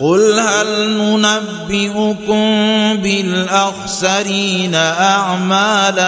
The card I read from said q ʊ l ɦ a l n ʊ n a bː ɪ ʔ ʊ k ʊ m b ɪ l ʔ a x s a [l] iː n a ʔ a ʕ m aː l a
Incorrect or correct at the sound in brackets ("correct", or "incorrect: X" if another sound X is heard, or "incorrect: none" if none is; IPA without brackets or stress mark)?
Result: incorrect: ɾ